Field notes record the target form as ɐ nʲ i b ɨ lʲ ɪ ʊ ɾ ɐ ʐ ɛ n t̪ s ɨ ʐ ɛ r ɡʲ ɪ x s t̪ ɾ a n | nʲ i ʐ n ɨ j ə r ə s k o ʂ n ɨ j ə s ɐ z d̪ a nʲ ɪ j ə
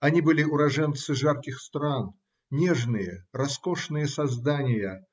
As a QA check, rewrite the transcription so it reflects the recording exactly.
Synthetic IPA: ɐ nʲ i b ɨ lʲ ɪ ʊ ɾ ɐ ʐ ɛ n t̪ s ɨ ʐ a r kʲ ɪ x s t̪ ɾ a n | nʲ e ʐ n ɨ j ə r ɐ s k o ʂ n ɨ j ə s ɐ z d̪ a nʲ ɪ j ə